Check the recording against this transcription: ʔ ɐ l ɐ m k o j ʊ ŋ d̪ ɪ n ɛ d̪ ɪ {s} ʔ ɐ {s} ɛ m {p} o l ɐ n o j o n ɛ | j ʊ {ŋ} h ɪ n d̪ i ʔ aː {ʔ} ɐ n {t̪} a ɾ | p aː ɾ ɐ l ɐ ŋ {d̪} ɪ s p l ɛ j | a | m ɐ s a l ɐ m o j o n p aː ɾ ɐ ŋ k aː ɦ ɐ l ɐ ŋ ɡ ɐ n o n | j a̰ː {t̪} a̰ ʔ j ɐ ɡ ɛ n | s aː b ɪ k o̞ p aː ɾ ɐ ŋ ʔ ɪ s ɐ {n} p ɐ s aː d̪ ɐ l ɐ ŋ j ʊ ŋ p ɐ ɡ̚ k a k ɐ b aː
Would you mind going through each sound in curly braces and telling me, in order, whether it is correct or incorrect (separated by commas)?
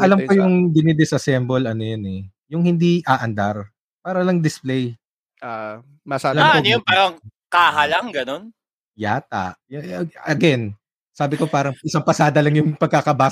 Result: correct, correct, incorrect, correct, correct, incorrect, correct, correct, incorrect